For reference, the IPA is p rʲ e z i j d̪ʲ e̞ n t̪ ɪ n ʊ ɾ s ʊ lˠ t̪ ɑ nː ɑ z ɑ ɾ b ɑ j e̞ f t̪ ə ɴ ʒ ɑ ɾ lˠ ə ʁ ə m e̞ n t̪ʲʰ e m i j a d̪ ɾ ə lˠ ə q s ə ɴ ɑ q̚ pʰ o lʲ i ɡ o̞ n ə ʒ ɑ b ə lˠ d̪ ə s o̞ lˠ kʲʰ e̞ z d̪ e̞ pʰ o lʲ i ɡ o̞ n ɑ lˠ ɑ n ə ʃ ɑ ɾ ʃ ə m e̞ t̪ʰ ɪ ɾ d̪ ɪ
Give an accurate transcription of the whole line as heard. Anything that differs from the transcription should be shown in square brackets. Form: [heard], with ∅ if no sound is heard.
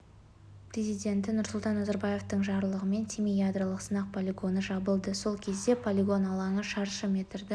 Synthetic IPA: p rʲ e z i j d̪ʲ e̞ n t̪ ɪ n ʊ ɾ s ʊ lˠ t̪ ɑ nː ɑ z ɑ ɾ b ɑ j e̞ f t̪ ə ɴ ʒ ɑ ɾ lˠ ə ʁ ə m e̞ n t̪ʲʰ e m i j a d̪ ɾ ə lˠ ə q s ə [n] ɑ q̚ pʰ o lʲ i ɡ o̞ n ə ʒ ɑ b ə lˠ d̪ ə s o̞ lˠ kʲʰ e̞ z d̪ e̞ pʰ o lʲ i ɡ o̞ n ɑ lˠ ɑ [ɴ] ə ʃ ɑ ɾ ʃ ə m e̞ [t̪] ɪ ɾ d̪ ɪ

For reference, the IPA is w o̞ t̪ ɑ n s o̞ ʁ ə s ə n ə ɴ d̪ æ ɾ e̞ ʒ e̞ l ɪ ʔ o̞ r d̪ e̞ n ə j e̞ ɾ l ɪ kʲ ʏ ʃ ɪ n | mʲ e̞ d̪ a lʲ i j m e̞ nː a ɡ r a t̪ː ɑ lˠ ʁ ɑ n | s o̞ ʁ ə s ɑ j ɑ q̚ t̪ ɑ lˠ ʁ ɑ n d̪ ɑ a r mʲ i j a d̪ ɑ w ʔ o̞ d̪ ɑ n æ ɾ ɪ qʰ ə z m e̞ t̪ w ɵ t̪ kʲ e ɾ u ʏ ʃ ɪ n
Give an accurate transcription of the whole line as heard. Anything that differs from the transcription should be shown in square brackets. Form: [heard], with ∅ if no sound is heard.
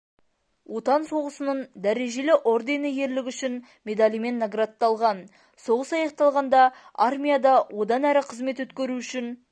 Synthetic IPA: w o̞ t̪ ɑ n s o̞ ʁ ə s ə n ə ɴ d̪ æ ɾ e̞ ʒ e̞ l ɪ ʔ o̞ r d̪ e̞ n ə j e̞ ɾ l ɪ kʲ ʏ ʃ ɪ n | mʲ e̞ d̪ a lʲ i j m e̞ nː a ɡ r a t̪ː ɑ lˠ ʁ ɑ n | s o̞ ʁ ə s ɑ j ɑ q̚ t̪ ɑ lˠ ʁ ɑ n d̪ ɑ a r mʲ i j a d̪ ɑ w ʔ o̞ d̪ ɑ n æ ɾ ɪ qʰ ə z m e̞ t̪ w ɵ t̪ kʲ e ɾ u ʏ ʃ ɪ n

